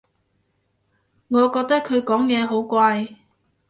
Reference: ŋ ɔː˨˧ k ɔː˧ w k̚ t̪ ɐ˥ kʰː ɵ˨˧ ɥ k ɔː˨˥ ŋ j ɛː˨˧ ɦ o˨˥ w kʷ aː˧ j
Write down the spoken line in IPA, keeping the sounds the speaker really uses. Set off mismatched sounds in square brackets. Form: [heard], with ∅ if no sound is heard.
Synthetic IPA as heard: ŋ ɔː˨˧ k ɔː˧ [∅] k̚ t̪ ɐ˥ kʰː ɵ˨˧ ɥ k ɔː˨˥ ŋ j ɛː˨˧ ɦ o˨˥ w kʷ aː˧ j